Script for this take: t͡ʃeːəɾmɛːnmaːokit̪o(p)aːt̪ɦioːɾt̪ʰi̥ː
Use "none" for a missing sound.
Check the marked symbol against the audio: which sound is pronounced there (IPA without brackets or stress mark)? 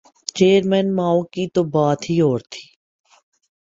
b